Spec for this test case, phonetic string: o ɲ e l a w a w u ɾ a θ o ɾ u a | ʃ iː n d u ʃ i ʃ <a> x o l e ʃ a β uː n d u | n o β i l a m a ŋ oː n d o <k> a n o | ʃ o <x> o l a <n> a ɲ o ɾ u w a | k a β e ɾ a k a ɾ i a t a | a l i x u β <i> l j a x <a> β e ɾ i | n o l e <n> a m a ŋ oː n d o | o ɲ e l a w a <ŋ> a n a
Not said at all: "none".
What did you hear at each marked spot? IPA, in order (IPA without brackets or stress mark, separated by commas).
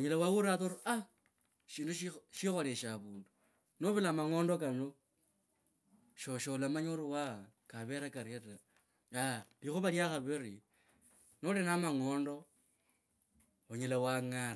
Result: i, k, ʃ, m, a, a, n, ŋ